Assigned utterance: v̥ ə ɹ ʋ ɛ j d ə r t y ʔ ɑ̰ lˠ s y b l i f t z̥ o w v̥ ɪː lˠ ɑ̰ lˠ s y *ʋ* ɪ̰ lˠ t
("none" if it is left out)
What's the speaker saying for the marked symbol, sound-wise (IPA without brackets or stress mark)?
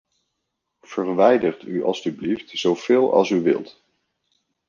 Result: ʋ